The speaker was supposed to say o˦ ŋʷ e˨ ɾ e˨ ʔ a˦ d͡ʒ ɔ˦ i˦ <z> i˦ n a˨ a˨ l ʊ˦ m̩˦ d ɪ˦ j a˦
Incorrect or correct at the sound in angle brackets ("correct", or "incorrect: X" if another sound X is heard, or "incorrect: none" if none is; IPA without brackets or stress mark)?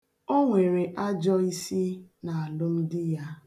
incorrect: s